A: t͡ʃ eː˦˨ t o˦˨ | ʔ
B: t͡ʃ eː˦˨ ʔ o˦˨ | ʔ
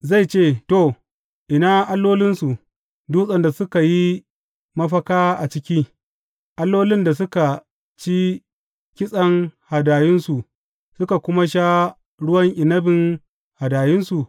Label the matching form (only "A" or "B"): A